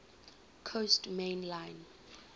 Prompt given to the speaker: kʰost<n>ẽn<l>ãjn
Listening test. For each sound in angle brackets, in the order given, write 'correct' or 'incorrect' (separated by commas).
incorrect, correct